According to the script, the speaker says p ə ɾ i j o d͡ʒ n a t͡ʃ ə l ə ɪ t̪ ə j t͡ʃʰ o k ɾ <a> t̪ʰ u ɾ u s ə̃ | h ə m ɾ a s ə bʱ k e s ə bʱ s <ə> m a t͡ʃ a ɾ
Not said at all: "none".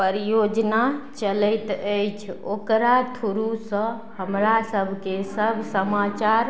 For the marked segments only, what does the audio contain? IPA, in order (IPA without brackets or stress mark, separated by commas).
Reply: a, ə